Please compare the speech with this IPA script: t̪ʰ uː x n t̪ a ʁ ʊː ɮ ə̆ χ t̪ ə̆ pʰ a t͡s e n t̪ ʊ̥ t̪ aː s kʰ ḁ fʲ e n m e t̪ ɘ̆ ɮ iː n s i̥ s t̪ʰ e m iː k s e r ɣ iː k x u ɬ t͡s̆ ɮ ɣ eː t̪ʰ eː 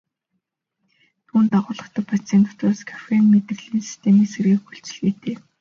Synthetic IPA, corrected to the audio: t̪ʰ uː n t̪ a ʁ ʊː ɮ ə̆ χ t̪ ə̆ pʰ a t͡s e n t̪ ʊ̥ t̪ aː s kʰ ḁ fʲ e n m e t̪ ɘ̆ ɮ iː n s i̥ s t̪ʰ e m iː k s e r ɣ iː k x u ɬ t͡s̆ ɮ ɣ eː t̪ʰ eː